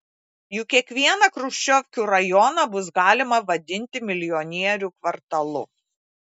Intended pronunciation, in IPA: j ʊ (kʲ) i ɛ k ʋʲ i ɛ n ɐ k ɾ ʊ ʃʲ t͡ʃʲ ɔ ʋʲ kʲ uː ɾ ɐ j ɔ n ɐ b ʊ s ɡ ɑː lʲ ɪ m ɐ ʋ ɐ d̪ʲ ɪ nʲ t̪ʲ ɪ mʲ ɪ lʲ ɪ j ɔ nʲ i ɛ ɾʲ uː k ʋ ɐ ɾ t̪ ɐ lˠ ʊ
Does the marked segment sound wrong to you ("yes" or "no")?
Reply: no